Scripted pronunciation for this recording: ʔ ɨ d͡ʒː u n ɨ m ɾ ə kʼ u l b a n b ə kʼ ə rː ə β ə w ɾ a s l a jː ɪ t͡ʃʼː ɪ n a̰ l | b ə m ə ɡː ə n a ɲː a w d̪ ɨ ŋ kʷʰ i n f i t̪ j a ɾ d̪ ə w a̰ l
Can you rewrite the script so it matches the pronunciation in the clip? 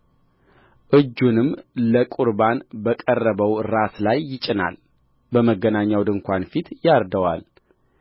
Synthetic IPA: ʔ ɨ d͡ʒː u n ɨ m l ə kʼ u ɾ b a n b ə kʼ ə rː ə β ə w ɾ a s l a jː ɪ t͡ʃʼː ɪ n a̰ l | b ə m ə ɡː ə n a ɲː a w d̪ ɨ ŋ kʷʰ a n f i t̪ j a ɾ d̪ ə w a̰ l